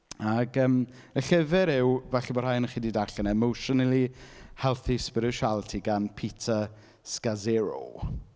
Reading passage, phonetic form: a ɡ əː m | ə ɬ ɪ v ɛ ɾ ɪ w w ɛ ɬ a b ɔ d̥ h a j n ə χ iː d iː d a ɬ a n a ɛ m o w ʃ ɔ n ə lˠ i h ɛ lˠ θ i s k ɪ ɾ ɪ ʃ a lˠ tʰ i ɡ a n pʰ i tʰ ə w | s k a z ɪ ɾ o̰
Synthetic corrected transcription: a ɡ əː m | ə ɬ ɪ v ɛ ɾ ɪ w v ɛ ɬ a b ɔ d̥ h a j n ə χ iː d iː d a ɬ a n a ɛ m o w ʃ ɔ n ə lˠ i h ɛ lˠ θ i s p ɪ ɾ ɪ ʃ a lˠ tʰ i ɡ a n pʰ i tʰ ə | s k a z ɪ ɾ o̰